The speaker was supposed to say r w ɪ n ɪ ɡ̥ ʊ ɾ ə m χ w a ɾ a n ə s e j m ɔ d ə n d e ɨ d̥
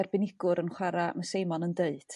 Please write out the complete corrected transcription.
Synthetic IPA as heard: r b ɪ n ɪ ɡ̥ ʊ ɾ ə n χ w a ɾ a m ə s e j m ɔ n ə n d e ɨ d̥

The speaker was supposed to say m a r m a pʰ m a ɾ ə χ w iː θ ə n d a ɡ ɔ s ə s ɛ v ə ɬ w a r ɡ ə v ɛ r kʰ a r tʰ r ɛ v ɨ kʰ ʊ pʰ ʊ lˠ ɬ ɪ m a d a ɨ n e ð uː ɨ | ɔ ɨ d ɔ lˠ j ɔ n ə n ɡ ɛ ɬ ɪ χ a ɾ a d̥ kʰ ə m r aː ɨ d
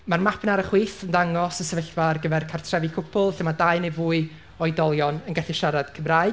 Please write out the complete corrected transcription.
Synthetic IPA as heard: m a r m a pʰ n a ɾ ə χ w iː θ ə n d a ŋ ɔ s ə s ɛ v ə ɬ v a r ɡ ə v ɛ r kʰ a r tʰ r ɛ v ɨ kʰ ʊ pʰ ʊ lˠ ɬ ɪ m a d a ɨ n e v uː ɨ | ɔ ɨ d ɔ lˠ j ɔ n ə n ɡ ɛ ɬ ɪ ʃ a ɾ a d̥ kʰ ə m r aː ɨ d

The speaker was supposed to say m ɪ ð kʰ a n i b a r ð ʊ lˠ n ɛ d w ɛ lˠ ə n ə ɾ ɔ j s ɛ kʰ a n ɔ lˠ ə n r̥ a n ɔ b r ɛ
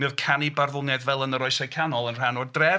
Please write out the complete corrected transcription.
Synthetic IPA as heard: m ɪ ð kʰ a n i b a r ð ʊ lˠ n ɛ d v ɛ lˠ ə n ə ɾ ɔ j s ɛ kʰ a n ɔ lˠ ə n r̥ a n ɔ d r ɛ

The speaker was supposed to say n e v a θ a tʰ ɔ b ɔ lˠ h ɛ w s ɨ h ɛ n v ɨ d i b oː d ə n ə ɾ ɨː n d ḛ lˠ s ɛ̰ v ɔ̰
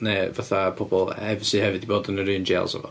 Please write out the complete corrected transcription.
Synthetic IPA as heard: n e v a θ a pʰ ɔ b ɔ lˠ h ɛ v s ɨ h ɛ v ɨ d i b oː d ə n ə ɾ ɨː n d͡ʒ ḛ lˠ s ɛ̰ v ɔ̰

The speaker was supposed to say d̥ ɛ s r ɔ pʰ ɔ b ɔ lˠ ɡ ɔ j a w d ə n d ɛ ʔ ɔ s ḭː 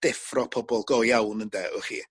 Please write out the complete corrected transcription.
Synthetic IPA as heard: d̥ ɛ f r ɔ pʰ ɔ b ɔ lˠ ɡ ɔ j a w n ə n d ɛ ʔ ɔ χ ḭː

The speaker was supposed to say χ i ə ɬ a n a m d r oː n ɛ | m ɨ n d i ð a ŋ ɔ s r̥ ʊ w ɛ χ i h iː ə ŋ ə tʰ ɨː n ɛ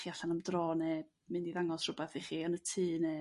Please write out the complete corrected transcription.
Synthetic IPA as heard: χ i a ɬ a n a m d r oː n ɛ | m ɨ n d i ð a ŋ ɔ s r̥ ʊ b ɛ θ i χ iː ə n ə tʰ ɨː n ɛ

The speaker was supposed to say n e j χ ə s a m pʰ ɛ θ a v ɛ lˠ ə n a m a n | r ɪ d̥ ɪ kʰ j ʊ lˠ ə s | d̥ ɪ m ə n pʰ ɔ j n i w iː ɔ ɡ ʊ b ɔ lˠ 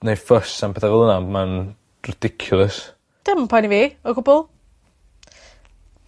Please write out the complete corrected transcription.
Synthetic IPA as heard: n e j f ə s a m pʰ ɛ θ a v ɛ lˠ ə n a m a n | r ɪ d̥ ɪ kʰ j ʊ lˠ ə s | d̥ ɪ m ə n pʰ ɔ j n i v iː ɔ ɡ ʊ b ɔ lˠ

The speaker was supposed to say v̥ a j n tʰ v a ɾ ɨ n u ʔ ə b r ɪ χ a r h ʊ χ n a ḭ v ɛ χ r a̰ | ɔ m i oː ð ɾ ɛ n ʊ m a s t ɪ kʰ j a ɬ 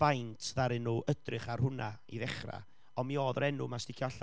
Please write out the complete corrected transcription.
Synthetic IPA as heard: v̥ a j n tʰ ð a ɾ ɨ n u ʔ ə d r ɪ χ a r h ʊ n a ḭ ð ɛ χ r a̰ | ɔ m i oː ð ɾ ɛ n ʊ m a s t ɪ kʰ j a ɬ

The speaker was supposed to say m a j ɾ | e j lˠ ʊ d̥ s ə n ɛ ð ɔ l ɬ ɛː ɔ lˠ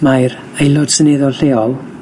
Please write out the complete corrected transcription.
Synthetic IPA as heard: m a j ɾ | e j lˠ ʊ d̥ s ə n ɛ ð ɔ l ɬ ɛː ɔ lˠ

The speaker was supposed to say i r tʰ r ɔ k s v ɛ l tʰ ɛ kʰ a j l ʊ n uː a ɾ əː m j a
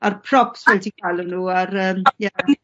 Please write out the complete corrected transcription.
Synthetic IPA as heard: a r pʰ r ɔ p s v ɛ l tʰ i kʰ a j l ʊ n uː a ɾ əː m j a

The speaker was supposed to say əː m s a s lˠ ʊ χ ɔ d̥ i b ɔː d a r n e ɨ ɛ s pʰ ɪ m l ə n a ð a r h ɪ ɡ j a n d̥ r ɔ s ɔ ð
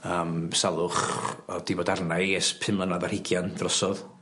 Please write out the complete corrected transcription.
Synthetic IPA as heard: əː m s a lˠ ʊ χ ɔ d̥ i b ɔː d a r n a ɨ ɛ s pʰ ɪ m l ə n a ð a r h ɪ ɡ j a n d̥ r ɔ s ɔ ð

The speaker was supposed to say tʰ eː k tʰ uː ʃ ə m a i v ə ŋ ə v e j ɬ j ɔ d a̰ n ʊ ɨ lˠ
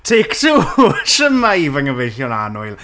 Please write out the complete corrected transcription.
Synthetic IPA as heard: tʰ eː k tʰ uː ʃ ə m a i v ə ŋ ə v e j ɬ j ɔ n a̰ n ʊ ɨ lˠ

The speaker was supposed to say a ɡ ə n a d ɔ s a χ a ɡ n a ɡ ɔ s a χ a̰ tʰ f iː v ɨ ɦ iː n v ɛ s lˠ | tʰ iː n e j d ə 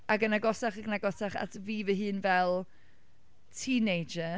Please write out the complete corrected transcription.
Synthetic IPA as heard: a ɡ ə n a ɡ ɔ s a χ a ɡ n a ɡ ɔ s a χ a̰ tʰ v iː v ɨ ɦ ɨː n v ɛ lˠ | tʰ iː n e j d͡ʒ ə

